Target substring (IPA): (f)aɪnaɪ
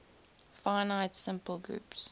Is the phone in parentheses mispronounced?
no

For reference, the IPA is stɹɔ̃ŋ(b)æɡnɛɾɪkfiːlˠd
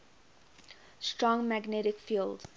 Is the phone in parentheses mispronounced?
yes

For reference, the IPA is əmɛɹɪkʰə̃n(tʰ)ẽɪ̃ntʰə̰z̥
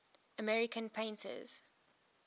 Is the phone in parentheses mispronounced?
yes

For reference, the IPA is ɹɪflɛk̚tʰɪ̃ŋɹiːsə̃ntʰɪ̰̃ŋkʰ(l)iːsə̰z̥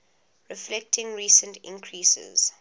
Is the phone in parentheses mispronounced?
yes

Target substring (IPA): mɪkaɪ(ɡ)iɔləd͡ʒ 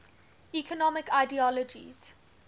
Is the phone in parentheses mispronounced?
yes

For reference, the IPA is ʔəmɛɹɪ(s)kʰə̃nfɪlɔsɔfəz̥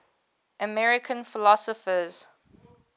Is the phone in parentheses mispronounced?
yes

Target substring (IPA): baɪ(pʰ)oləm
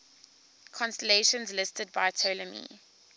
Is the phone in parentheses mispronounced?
yes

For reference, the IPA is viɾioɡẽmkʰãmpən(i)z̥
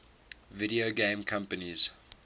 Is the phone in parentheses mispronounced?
no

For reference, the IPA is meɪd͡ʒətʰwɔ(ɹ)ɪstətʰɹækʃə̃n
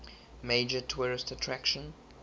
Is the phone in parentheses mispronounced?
no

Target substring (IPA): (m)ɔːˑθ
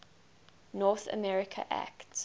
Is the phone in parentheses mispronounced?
yes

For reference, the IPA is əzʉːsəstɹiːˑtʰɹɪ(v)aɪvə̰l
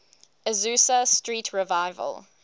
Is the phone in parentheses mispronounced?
no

